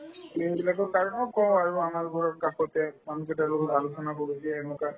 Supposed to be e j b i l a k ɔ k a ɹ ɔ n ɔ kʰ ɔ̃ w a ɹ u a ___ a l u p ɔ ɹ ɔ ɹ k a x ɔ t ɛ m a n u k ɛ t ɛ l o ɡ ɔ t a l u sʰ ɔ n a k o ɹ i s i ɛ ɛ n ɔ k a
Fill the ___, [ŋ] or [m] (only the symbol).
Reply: m